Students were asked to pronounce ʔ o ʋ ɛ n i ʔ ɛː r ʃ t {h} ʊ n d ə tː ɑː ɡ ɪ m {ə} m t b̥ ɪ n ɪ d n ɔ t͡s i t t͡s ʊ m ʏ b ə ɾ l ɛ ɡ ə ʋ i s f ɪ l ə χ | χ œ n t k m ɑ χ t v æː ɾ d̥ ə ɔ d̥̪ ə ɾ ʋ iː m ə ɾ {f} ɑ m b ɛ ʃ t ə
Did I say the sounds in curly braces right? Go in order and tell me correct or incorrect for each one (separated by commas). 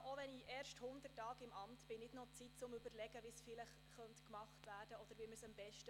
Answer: correct, incorrect, incorrect